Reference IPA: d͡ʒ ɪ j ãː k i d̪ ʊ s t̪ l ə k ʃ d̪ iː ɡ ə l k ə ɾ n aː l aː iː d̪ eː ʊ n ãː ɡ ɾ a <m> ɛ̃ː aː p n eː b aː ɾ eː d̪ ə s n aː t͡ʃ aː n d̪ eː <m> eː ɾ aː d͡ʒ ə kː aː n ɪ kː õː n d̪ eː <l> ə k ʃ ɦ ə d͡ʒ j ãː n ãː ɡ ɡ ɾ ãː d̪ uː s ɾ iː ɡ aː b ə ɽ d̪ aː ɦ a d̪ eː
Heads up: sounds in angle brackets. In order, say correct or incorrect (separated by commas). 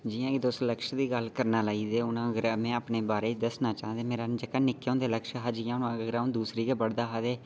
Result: correct, correct, correct